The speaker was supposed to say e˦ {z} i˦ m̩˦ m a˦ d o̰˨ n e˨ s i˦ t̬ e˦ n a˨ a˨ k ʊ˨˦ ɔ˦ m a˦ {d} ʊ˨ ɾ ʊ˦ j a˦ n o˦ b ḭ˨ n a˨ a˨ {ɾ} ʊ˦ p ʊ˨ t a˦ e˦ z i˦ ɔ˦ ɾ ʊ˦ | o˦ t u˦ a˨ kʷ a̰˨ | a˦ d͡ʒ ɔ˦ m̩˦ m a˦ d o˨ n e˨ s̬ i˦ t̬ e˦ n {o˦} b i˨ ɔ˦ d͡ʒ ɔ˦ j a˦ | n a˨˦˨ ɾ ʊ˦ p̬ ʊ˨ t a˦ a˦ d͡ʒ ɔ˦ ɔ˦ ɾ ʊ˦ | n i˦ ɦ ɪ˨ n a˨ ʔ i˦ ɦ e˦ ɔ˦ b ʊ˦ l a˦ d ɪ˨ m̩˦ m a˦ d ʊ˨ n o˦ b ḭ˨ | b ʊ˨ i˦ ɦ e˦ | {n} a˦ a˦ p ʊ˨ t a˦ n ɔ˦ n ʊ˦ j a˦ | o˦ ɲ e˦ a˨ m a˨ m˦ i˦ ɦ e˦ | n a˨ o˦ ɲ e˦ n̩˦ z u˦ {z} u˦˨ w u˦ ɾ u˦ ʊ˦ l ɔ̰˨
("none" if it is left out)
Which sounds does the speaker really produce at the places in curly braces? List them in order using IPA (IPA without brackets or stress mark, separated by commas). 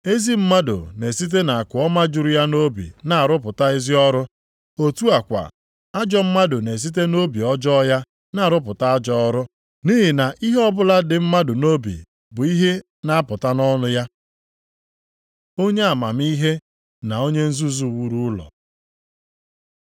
z, d͡ʒ, ɾ, o˦, n, z